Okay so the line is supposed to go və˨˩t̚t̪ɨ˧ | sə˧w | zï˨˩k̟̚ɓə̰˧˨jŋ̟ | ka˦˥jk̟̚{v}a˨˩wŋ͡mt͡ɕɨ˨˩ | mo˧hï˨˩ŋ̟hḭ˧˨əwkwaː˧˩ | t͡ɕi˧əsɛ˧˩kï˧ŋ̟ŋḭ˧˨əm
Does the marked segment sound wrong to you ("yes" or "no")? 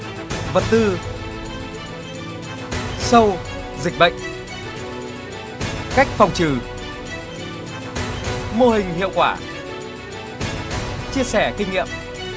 yes